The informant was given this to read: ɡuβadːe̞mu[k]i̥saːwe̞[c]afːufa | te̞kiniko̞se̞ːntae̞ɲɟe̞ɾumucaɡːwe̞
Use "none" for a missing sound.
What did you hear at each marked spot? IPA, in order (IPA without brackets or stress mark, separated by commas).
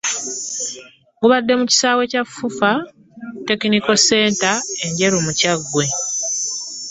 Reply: c, c